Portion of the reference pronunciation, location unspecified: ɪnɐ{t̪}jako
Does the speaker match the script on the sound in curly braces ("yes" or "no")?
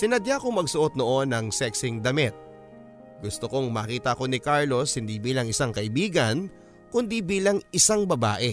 no